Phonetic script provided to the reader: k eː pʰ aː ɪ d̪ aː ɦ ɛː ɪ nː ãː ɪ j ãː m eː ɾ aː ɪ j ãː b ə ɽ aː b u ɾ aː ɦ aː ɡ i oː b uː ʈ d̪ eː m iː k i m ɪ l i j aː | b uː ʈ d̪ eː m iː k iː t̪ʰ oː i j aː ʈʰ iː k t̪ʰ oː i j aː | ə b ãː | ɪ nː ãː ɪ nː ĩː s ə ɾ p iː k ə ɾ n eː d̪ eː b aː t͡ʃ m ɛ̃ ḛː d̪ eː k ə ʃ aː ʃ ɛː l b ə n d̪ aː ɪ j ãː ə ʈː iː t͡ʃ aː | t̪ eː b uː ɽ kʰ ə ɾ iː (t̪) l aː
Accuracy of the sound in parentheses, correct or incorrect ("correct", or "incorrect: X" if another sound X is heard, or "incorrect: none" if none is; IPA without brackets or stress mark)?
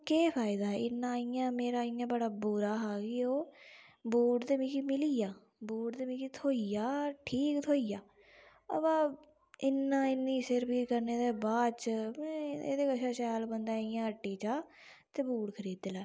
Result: incorrect: d̪